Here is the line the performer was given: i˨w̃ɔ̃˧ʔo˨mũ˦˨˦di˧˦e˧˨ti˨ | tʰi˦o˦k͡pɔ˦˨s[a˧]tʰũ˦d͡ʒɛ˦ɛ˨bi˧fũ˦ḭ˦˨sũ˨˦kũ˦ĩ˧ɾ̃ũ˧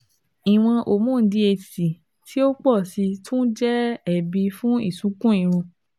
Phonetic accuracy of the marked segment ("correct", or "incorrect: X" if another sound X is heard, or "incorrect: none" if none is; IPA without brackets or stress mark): incorrect: i˧